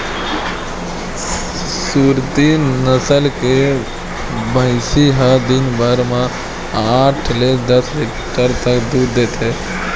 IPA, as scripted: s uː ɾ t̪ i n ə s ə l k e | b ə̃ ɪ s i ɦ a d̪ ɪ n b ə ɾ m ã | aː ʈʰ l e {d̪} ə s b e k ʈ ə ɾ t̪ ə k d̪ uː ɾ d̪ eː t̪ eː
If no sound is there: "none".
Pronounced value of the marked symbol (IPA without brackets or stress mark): d̪